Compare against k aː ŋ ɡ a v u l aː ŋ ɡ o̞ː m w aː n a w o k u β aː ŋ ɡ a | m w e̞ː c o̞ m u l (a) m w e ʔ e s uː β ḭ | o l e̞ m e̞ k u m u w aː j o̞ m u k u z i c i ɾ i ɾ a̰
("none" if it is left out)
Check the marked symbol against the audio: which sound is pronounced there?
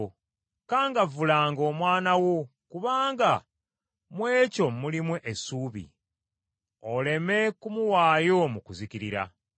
i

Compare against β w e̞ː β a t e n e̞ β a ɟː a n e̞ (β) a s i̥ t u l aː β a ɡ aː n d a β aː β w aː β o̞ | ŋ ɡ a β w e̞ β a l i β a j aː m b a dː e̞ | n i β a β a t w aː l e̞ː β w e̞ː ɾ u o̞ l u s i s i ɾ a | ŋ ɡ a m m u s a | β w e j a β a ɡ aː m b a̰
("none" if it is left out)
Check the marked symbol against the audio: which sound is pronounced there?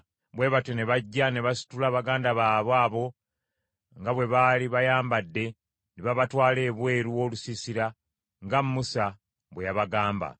β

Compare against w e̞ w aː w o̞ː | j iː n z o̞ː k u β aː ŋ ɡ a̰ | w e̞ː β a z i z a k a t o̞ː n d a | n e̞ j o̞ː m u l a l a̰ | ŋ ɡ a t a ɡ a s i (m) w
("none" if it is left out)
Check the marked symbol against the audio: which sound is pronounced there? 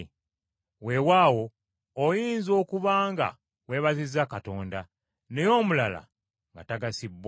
b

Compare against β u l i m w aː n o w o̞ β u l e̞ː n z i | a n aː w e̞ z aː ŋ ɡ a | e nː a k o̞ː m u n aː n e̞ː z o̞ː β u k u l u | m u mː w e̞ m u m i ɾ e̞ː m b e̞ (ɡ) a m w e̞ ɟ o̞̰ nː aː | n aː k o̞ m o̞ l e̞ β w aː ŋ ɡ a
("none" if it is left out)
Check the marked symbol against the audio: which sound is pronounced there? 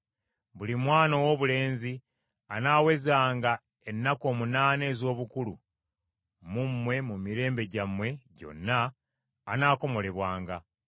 ɟ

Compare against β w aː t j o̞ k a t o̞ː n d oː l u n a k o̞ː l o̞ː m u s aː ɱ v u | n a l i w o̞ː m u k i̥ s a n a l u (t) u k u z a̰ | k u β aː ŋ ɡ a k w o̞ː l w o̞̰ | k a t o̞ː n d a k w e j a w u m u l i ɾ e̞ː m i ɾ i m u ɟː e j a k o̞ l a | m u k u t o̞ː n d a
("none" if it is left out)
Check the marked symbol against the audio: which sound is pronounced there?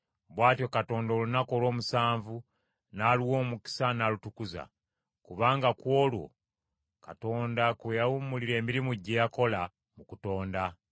t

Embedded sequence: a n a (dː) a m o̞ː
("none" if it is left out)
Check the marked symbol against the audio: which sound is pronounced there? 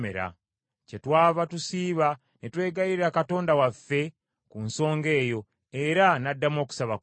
dː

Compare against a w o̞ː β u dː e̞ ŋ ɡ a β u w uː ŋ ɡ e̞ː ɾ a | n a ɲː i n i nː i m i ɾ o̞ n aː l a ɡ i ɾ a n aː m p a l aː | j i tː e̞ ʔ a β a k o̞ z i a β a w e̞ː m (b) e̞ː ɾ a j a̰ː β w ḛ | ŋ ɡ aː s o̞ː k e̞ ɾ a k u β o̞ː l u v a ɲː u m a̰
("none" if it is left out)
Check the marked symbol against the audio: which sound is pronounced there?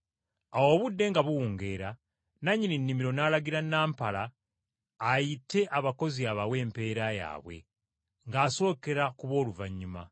p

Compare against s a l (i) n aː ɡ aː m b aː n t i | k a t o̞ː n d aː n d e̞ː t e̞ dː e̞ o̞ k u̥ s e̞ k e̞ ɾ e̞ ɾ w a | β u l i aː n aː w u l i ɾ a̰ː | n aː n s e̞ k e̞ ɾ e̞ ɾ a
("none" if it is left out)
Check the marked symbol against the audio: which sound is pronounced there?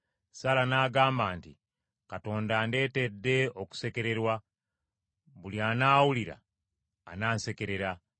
a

